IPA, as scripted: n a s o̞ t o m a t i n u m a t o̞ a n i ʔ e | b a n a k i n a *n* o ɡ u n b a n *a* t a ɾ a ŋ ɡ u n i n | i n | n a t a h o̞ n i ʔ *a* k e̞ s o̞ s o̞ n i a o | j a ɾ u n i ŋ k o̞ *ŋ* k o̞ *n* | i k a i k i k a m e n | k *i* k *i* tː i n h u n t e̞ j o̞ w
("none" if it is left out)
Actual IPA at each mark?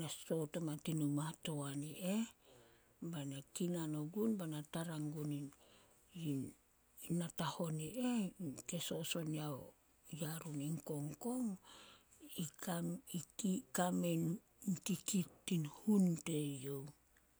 n, a, e, ŋ, ŋ, i, i

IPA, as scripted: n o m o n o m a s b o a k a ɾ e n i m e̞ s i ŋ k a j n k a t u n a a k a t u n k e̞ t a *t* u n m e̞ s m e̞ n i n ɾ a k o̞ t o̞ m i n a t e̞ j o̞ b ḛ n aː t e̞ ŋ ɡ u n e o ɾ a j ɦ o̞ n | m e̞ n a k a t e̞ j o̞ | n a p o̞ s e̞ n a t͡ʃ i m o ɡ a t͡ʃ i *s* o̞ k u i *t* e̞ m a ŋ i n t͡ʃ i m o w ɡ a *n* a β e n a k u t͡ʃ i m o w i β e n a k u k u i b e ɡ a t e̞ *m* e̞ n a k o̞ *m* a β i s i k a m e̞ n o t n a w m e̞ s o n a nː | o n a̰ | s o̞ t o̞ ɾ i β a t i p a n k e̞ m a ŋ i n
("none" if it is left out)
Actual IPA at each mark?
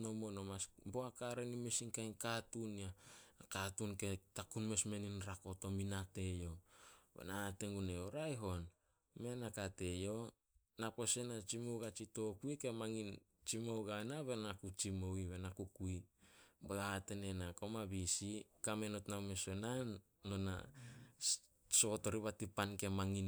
k, t, k, n, n, m

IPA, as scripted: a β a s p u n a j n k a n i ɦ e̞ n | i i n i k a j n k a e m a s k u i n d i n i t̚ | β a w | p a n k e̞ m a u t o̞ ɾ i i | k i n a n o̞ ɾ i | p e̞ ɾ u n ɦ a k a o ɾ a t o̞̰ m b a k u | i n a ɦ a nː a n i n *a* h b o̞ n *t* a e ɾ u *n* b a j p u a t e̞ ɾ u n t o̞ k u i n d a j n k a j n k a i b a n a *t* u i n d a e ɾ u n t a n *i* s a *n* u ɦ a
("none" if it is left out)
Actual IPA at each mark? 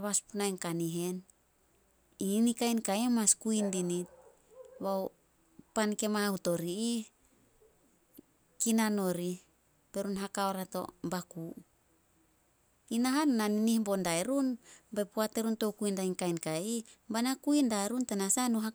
i, d, n, k, a, n

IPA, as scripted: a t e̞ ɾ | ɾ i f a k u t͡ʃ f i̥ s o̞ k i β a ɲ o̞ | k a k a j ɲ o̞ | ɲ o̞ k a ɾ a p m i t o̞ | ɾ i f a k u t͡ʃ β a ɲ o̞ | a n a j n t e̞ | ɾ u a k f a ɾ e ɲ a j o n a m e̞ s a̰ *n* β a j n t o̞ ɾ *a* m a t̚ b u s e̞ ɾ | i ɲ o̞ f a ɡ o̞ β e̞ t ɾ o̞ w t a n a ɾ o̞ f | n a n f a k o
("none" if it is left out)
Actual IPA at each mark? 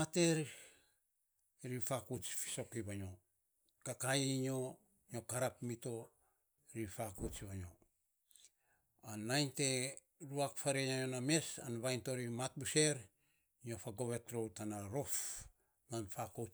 n, i

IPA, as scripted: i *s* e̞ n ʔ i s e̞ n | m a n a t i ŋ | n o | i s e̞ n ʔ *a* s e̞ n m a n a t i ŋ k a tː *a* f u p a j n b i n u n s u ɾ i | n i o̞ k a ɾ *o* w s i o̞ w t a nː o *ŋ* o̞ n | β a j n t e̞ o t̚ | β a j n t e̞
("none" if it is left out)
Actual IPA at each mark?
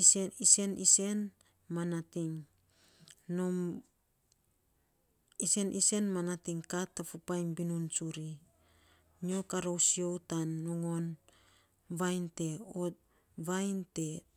s, i, a, o, ŋ

